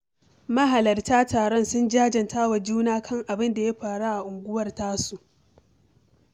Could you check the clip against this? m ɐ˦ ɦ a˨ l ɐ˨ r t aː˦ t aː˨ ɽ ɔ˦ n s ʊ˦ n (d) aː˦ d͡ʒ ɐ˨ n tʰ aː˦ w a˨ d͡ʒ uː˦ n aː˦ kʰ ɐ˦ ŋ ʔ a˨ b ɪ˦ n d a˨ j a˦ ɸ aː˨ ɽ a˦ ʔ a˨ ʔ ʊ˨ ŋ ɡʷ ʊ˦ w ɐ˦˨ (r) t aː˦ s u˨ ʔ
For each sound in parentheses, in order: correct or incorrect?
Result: incorrect: d͡ʒ, correct

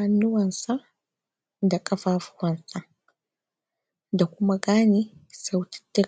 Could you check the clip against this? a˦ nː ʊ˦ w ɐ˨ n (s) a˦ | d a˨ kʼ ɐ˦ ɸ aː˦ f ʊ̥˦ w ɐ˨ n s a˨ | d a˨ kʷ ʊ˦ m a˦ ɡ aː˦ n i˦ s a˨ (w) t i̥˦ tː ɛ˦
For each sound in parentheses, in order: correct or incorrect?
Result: correct, correct

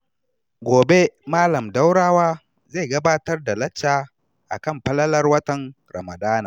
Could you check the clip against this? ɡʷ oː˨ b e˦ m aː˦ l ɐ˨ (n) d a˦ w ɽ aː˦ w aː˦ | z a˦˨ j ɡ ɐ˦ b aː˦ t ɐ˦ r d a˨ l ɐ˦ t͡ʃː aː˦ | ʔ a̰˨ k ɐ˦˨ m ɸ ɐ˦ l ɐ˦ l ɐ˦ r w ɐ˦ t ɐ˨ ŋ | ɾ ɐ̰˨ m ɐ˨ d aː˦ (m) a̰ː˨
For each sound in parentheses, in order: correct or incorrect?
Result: incorrect: m, incorrect: n

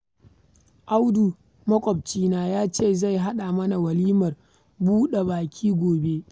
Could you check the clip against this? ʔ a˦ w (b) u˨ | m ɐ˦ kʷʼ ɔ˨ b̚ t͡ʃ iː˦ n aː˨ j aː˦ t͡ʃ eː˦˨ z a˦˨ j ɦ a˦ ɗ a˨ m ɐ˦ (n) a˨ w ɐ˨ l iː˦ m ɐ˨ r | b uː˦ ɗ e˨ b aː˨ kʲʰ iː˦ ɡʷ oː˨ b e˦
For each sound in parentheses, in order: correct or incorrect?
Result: incorrect: d, correct

